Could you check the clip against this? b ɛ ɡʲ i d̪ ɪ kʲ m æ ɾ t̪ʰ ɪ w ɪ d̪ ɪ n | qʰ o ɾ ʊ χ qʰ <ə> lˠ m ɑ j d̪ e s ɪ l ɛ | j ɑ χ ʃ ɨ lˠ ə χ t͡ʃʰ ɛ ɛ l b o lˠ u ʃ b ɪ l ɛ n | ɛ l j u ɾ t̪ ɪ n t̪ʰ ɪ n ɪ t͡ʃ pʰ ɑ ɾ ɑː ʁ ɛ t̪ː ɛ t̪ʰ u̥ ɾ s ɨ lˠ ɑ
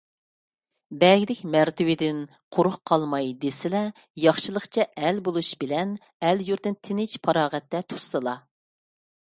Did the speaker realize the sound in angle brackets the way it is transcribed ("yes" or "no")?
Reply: no